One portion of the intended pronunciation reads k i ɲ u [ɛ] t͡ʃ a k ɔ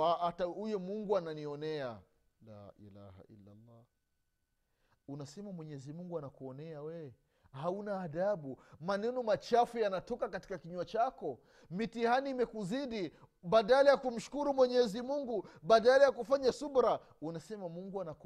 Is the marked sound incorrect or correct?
incorrect